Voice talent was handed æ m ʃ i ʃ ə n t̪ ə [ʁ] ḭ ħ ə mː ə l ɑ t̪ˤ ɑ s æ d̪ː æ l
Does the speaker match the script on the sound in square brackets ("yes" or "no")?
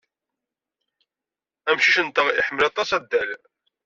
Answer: yes